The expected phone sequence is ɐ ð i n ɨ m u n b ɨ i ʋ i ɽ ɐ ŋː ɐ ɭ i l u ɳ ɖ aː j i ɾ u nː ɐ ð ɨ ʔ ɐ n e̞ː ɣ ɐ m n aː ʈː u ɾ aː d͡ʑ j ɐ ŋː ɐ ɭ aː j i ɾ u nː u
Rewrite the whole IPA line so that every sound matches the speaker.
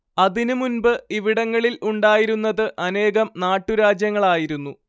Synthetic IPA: ɐ ð i n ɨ m u n b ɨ i ʋ i ɽ ɐ ŋː ɐ ɭ i l u ɳ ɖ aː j i ɾ u nː ɐ ð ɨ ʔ ɐ n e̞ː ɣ ɐ m n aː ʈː u ɾ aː d͡ʑ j ɐ ŋː ɐ ɭ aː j i ɾ u nː u